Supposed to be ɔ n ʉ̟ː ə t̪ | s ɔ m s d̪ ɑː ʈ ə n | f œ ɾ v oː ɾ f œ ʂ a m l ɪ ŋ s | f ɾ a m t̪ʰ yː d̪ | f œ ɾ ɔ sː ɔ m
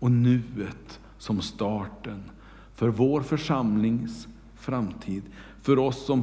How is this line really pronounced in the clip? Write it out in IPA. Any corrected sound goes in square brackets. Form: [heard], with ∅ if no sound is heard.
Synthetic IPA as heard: ɔ n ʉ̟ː ə t̪ | s ɔ m s [t̪] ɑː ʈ ə n | f œ ɾ v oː ɾ f œ ʂ a m l ɪ ŋ s | f ɾ a m t̪ʰ [iː] d̪ | f œ ɾ ɔ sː ɔ m